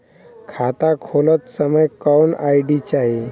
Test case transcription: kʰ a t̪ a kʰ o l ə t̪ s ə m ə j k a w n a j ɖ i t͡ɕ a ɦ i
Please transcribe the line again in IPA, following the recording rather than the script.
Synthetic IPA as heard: kʰ a t̪ a kʰ o l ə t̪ s ə m ə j k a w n a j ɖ i t͡ɕ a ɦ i

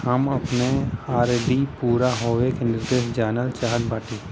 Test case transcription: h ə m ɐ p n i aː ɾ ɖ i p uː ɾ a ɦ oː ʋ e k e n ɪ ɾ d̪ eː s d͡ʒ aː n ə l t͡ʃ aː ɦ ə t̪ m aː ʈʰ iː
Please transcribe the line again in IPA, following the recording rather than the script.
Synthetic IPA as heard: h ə m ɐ p n e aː ɾ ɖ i p uː ɾ a ɦ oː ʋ e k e n ɪ ɾ d̪ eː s d͡ʒ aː n ə l t͡ʃ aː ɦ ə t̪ b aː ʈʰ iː

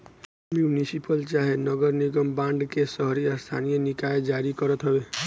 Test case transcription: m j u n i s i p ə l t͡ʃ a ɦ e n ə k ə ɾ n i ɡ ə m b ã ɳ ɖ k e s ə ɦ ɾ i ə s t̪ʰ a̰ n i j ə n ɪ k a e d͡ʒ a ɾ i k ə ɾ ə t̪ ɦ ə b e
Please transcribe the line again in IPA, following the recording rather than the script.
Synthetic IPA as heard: m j u n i s i p ə l t͡ʃ a ɦ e n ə ɡ ə ɾ n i ɡ ə m b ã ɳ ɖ k e s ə ɦ ɾ i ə s t̪ʰ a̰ n i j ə n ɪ k a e d͡ʒ a ɾ i k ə ɾ ə t̪ ɦ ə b e

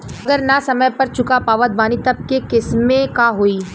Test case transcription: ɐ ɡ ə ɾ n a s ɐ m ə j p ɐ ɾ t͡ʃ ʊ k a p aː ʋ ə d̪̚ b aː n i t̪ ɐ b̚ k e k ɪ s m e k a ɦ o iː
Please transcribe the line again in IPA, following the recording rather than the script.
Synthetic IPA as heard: ɐ ɡ ə ɾ n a s ɐ m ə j p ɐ ɾ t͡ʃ ʊ k a p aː ʋ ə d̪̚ b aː n i t̪ ɐ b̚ k e k ɪ s m e k a ɦ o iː

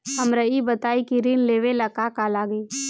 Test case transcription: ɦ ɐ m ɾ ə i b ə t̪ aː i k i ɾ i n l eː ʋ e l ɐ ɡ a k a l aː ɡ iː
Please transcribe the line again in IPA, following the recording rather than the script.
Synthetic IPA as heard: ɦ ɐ m ɾ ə i b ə t̪ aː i k i ɾ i n l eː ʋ e l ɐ k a k a l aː ɡ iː

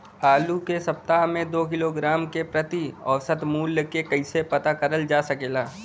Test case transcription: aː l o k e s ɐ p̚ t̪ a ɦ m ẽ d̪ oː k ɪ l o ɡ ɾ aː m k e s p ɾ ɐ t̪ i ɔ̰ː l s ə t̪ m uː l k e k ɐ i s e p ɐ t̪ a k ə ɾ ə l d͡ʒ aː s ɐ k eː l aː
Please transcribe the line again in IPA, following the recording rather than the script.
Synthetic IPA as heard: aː l u k e s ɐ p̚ t̪ a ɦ m ẽ d̪ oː k ɪ l o ɡ ɾ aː m k e p ɾ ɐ t̪ i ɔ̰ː s ə t̪ m uː l k e k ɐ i s e p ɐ t̪ a k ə ɾ ə l d͡ʒ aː s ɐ k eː l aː

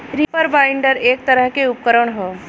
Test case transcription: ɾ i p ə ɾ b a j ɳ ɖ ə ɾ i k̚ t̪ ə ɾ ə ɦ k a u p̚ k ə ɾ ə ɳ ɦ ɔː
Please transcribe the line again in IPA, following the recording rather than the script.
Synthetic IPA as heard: ɾ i p ə ɾ b a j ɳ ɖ ə ɾ e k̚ t̪ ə ɾ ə ɦ k e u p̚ k ə ɾ ə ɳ ɦ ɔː

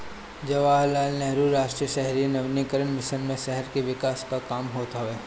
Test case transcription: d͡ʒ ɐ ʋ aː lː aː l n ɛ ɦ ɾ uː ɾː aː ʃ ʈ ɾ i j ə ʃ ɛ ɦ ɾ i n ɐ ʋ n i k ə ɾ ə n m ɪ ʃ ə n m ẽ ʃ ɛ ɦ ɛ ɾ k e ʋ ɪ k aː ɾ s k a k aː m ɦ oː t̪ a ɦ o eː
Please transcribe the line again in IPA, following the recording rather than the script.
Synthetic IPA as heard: d͡ʒ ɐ ʋ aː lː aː l n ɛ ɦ ɾ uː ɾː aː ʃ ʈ ɾ i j ə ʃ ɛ ɦ ɾ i n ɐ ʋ n i k ə ɾ ə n m ɪ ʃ ə n m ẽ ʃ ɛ ɦ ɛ ɾ k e ʋ ɪ k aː s k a k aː m ɦ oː t̪ a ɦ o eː

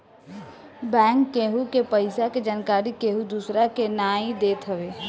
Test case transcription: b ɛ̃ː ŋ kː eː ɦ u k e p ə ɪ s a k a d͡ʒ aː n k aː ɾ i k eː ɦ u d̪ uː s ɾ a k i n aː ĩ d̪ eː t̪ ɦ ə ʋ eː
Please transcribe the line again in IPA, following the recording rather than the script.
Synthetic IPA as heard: b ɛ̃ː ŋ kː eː ɦ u k e p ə ɪ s a k e d͡ʒ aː n k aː ɾ i k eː ɦ u d̪ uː s ɾ a k e n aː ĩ d̪ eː t̪ ɦ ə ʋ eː

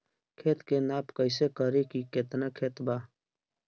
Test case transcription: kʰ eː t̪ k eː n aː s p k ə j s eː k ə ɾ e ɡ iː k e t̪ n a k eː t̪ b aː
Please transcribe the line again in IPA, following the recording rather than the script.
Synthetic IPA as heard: kʰ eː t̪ k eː n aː p k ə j s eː k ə ɾ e k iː k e t̪ n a kʰ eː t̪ b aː

